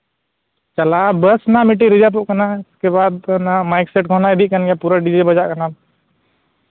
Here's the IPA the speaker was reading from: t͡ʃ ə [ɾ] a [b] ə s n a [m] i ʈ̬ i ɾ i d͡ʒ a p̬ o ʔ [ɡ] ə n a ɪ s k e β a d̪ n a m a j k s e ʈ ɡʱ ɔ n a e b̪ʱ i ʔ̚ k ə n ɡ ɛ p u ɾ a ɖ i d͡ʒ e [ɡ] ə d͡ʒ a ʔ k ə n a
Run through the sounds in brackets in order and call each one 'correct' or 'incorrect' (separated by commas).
incorrect, correct, correct, incorrect, incorrect